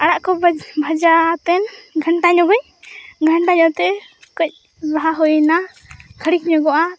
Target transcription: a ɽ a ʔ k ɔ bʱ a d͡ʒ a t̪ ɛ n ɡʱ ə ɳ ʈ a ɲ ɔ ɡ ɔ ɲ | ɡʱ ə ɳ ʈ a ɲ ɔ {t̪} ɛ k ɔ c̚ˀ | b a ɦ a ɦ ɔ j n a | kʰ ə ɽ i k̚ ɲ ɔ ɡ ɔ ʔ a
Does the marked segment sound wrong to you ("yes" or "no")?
no